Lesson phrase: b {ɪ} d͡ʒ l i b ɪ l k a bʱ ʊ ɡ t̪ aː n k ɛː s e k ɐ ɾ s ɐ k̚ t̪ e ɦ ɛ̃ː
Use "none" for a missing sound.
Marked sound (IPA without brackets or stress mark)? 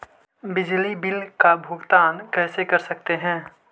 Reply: ɪ